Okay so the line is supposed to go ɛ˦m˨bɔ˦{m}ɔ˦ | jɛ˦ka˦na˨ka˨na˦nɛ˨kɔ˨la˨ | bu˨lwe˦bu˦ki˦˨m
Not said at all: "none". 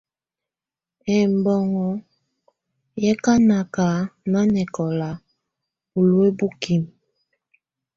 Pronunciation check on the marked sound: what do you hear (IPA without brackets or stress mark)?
ŋ